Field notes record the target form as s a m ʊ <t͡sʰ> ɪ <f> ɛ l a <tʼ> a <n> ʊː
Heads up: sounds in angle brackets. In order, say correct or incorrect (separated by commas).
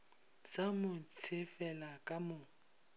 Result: correct, correct, incorrect, incorrect